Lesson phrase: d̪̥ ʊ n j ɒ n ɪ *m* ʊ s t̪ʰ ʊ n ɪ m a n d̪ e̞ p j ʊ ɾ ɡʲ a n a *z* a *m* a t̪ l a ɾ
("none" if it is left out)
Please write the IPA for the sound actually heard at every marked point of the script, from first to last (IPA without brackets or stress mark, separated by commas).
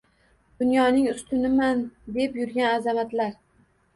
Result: ŋ, z, m